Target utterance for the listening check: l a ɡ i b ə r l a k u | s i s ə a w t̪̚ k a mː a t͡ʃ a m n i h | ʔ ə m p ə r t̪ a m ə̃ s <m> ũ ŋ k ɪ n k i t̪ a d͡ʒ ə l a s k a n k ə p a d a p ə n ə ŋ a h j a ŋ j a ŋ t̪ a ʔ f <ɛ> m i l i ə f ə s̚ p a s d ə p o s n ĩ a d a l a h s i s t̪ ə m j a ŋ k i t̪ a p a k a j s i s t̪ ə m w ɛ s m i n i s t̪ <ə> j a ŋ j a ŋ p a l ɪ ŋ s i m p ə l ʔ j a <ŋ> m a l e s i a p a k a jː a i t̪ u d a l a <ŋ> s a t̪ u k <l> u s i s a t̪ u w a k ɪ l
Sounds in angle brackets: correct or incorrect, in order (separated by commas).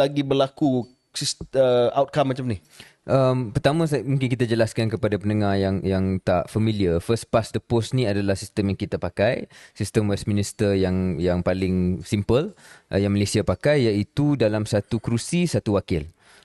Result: correct, incorrect, correct, correct, incorrect, incorrect